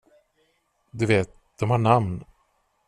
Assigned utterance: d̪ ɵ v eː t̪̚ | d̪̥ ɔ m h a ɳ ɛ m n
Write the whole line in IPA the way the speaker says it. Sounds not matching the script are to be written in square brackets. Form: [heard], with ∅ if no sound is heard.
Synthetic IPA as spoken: d̪ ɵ v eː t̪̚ | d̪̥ ɔ m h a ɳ [a] m n